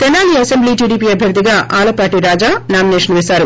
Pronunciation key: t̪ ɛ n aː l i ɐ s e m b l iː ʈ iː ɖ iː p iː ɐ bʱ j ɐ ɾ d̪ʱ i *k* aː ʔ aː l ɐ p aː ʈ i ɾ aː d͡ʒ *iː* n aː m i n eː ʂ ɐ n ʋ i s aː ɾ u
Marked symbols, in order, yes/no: no, no

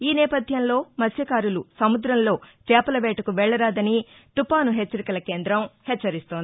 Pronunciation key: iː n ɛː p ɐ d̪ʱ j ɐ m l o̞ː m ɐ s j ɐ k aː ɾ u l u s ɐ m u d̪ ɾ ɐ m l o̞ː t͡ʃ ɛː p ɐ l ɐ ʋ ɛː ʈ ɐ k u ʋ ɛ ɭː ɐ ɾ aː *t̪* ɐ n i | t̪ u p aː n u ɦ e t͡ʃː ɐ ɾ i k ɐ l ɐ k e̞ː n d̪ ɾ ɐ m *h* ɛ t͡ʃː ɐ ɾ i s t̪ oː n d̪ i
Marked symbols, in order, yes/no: no, yes

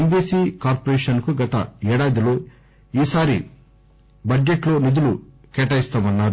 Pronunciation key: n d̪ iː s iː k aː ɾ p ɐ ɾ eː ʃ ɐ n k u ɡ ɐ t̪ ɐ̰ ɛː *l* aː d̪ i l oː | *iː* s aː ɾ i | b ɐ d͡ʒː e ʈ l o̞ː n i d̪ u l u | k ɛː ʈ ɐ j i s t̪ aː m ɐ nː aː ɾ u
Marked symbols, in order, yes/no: no, yes

